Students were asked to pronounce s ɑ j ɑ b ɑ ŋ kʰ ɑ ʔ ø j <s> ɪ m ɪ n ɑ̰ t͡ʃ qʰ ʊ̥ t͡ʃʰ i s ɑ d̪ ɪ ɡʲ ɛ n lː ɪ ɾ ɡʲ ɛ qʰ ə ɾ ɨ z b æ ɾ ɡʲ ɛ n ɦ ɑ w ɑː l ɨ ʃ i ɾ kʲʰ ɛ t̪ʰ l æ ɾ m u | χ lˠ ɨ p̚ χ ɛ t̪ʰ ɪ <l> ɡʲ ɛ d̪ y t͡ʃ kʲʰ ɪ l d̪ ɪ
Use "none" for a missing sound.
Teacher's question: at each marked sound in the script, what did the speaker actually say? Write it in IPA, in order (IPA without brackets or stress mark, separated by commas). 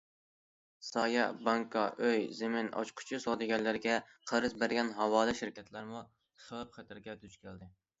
z, ɾ